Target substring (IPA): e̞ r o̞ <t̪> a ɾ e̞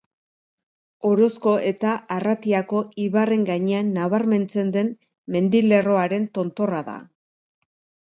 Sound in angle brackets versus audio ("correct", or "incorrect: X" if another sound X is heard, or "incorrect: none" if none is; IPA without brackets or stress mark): incorrect: none